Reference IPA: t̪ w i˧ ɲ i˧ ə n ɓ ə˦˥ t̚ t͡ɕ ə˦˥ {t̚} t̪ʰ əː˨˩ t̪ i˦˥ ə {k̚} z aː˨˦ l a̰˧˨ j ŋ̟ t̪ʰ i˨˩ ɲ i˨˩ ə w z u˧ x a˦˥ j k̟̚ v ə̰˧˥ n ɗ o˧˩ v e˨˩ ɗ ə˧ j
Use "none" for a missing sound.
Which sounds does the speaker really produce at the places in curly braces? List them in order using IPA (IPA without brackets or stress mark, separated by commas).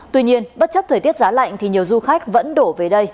p̚, t̚